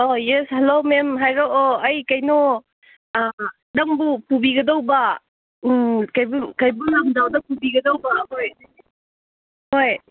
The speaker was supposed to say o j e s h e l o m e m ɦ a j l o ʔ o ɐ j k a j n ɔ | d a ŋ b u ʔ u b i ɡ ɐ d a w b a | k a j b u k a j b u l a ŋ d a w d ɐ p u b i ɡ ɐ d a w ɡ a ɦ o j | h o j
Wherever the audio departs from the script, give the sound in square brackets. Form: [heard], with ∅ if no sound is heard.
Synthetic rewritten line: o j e s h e l o m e m ɦ a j [ɾ] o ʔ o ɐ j k a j n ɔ | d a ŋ b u [p] u b i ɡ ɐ d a w b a | k a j b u k a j b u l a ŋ d a w d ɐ p u b i ɡ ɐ d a w [b] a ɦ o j | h o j